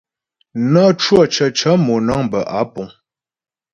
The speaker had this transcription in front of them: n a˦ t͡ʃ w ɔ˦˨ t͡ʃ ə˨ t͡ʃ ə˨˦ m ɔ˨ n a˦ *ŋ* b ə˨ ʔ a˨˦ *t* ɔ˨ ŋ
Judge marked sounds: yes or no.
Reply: yes, no

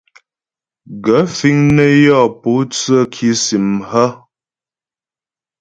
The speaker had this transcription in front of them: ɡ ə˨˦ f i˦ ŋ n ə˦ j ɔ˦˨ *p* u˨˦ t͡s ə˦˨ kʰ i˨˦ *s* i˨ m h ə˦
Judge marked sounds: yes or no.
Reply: yes, yes

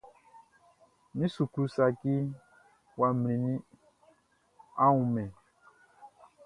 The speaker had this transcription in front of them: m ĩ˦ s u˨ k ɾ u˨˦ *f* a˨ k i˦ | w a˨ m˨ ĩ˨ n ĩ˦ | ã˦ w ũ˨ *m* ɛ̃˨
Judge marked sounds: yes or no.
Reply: no, yes

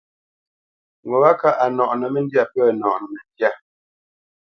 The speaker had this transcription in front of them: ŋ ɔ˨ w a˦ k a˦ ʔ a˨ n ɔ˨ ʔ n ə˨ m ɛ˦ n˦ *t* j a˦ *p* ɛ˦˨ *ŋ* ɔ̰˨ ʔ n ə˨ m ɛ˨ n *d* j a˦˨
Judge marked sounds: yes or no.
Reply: no, yes, no, yes

